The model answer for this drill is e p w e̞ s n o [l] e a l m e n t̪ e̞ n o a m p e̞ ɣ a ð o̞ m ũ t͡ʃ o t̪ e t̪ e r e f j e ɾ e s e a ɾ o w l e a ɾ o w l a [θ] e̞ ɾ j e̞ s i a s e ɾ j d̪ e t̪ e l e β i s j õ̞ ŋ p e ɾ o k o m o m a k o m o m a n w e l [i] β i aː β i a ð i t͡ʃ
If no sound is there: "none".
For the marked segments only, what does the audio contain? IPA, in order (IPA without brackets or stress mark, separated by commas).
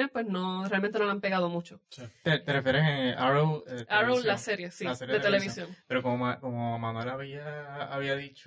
r, s, a